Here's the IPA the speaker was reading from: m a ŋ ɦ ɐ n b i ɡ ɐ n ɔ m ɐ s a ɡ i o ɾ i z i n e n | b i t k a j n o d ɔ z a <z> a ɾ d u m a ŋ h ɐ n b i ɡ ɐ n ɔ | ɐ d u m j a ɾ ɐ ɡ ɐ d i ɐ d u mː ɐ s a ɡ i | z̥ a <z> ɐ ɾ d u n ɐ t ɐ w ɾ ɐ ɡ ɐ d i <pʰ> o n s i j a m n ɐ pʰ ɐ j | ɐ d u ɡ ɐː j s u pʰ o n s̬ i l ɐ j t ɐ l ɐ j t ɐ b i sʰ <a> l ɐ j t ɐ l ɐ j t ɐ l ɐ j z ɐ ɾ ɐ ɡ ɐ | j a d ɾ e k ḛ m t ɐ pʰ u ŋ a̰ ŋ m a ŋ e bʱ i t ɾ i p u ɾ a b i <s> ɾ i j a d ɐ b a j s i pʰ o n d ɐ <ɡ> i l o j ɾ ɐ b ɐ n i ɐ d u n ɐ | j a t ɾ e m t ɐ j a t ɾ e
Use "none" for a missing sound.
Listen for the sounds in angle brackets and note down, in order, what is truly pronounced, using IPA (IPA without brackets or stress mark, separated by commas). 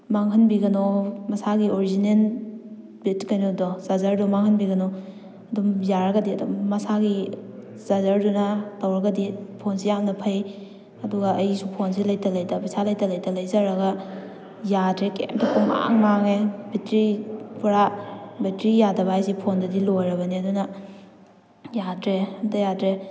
z, z, pʰ, a, t, d